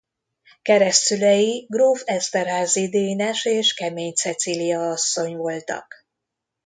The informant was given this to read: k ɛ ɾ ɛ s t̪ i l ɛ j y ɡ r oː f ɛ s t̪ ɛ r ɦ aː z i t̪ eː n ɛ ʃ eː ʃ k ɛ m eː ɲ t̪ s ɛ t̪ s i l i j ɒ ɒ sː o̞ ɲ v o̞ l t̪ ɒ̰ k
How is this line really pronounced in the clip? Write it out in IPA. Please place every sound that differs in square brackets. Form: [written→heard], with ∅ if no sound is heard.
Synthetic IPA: k ɛ ɾ ɛ s t̪ [i→y] l ɛ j [y→i] ɡ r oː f ɛ s t̪ ɛ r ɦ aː z i [t̪→d̪] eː n ɛ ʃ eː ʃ k ɛ m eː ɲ t̪ s ɛ t̪ s i l i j ɒ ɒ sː o̞ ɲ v o̞ l t̪ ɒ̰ k